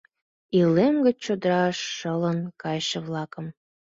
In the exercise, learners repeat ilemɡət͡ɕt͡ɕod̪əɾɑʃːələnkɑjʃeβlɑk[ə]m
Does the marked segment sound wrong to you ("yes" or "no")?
no